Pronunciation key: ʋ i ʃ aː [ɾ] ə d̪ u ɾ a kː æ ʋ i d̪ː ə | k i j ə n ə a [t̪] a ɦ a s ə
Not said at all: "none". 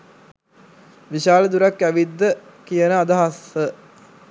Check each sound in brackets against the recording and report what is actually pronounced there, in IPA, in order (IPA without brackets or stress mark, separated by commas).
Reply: l, d̪